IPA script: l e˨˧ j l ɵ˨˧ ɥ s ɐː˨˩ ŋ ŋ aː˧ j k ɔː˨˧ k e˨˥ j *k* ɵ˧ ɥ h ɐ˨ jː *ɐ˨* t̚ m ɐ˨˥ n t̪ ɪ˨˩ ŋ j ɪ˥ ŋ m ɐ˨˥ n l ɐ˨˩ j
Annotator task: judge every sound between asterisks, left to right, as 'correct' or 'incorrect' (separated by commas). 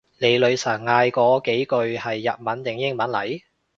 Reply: correct, correct